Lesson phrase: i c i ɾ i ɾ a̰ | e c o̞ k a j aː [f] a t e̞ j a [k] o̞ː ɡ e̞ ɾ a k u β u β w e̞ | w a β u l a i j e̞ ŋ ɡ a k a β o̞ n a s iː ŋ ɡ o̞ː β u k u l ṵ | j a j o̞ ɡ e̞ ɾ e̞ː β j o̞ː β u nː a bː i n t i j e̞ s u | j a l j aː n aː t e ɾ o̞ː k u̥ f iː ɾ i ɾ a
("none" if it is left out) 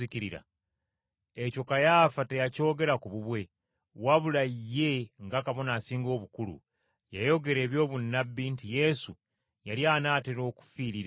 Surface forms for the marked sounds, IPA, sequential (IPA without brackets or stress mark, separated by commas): f, c